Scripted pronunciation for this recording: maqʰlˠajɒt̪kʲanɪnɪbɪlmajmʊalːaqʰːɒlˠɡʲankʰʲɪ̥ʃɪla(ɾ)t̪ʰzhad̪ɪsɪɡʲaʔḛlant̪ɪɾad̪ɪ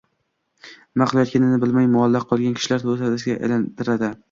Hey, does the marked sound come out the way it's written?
yes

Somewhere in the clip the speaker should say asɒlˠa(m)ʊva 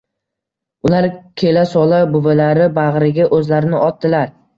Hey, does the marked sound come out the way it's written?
no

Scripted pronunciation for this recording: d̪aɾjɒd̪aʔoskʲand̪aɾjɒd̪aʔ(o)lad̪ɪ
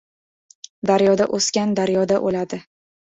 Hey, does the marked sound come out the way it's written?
yes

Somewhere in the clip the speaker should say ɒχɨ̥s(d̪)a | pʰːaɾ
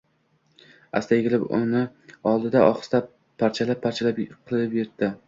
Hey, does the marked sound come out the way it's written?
no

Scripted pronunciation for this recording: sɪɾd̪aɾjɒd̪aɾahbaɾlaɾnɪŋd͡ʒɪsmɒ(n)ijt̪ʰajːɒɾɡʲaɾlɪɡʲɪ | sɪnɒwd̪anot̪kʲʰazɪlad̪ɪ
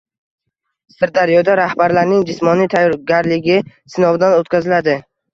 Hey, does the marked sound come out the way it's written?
yes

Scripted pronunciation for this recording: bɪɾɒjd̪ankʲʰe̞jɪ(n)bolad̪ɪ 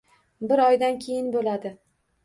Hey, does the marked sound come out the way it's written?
yes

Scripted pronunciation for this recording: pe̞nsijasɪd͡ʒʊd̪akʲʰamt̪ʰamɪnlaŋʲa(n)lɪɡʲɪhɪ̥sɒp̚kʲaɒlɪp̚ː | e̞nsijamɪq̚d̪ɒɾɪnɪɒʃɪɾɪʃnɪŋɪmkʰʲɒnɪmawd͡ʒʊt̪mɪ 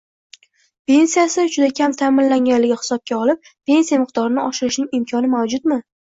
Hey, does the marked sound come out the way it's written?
yes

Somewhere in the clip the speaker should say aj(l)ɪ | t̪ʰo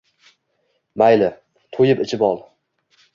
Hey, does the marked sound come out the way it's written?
yes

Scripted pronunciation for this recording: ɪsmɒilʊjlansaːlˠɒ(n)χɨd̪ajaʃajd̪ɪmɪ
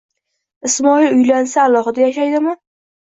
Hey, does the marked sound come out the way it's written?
no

